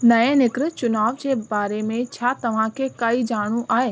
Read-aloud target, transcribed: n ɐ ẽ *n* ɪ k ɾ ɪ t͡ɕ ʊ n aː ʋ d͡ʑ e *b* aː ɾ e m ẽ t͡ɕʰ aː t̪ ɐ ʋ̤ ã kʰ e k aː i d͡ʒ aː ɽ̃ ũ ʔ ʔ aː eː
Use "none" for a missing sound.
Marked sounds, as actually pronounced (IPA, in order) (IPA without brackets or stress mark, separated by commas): n, b